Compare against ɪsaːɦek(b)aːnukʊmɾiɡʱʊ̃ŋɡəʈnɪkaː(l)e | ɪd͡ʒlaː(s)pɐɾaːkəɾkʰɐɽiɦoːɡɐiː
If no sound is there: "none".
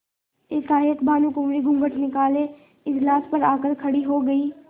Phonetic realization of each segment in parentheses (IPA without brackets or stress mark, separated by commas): b, l, s